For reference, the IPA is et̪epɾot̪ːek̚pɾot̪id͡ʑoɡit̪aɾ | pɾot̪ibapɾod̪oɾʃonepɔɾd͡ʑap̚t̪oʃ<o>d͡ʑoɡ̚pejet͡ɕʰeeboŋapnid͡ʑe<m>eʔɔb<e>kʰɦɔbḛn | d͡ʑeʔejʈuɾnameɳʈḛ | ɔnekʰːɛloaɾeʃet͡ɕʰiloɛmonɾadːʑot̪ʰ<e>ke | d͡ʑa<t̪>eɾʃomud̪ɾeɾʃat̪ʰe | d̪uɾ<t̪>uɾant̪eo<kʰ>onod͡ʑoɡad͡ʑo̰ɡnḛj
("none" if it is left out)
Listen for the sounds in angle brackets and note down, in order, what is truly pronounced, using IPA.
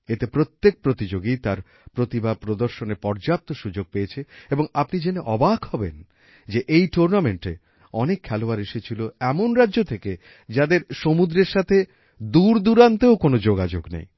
u, n, a, e, d̪, d̪, k

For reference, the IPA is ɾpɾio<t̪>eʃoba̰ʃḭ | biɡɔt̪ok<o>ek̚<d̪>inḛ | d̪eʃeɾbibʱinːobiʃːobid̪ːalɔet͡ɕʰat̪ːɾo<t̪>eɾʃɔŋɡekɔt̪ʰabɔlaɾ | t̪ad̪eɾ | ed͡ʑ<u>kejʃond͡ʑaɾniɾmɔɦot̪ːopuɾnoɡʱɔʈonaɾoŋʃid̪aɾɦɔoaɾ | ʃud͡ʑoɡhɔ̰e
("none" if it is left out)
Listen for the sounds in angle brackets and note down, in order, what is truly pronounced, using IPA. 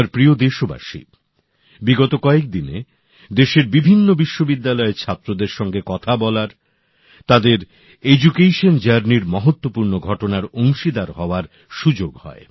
d̪, ɔ, d̪, d̪, u

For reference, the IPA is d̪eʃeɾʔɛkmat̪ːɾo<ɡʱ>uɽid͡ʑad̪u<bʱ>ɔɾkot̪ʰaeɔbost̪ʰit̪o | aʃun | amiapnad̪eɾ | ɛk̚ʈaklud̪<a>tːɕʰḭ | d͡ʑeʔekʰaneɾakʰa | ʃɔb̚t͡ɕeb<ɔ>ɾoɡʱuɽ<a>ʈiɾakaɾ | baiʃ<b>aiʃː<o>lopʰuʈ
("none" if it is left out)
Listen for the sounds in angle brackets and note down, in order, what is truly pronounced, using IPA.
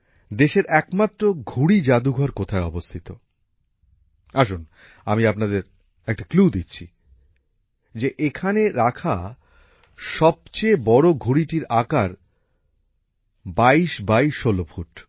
ɡʱ, ɡʱ, i, ɔ, i, b, o

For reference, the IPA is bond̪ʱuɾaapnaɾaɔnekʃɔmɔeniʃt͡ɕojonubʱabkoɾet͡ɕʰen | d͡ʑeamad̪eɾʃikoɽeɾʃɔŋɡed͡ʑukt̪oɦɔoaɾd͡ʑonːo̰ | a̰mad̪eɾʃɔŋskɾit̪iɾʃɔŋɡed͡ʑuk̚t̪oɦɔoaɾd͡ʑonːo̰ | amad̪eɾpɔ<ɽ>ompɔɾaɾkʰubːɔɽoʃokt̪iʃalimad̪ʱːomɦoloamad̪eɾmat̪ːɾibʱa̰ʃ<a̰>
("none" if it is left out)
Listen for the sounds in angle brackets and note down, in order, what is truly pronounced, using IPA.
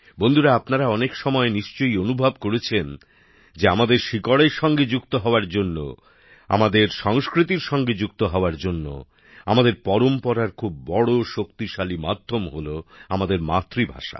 ɾ, a̰

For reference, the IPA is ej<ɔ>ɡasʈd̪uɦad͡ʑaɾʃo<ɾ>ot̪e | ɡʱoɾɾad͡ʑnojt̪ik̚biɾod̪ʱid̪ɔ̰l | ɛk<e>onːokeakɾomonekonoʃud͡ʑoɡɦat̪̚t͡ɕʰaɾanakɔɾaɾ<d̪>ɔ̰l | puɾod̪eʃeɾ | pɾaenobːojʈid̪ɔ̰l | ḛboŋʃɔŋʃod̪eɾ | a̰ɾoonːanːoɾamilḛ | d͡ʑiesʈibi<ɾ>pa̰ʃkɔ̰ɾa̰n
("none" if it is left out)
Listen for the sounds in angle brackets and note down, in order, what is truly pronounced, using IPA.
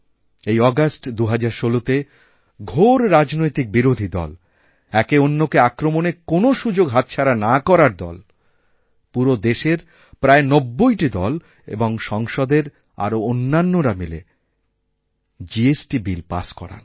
ɔ, l, e, d̪, l

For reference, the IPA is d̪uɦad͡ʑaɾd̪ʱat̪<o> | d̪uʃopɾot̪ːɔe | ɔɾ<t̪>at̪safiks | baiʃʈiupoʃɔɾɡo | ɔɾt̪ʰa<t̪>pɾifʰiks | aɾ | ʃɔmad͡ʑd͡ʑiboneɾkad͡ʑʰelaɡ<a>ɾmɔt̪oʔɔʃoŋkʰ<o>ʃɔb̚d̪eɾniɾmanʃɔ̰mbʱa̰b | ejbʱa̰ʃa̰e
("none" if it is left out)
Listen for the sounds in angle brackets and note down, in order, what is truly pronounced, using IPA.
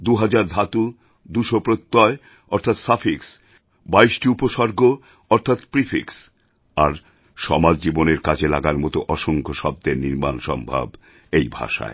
u, t̪ʰ, t̪, a, o

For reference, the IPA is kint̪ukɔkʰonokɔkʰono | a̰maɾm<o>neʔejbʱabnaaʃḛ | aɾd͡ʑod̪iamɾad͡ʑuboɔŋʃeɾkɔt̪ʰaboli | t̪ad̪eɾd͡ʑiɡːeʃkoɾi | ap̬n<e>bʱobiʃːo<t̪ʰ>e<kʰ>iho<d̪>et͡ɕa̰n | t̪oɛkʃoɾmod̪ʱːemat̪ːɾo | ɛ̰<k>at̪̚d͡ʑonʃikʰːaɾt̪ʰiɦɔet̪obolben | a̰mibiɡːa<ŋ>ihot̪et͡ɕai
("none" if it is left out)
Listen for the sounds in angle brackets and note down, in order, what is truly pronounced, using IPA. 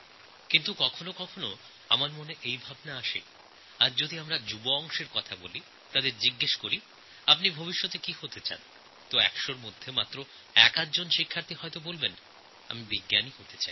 o, i, t̪, k, t̪, k, n

